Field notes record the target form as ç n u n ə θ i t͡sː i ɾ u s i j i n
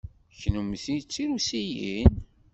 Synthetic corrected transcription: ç n u m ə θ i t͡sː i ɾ u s i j i n